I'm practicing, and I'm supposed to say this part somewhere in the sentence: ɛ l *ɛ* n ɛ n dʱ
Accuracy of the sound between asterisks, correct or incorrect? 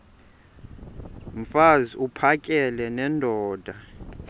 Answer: correct